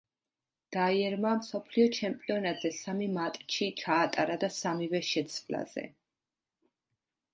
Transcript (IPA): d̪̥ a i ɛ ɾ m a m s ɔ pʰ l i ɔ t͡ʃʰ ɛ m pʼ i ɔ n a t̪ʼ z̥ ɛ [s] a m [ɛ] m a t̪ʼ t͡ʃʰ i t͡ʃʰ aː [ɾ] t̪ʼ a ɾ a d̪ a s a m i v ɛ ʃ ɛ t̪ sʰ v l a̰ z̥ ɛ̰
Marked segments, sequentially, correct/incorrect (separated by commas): correct, incorrect, incorrect